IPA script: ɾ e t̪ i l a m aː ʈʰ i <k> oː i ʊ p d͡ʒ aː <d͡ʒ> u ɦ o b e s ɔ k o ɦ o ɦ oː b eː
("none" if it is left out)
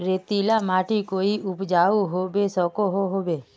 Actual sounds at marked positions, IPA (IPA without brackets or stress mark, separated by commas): k, none